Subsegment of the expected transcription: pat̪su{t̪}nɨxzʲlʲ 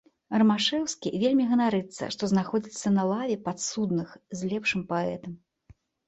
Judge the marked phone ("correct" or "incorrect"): incorrect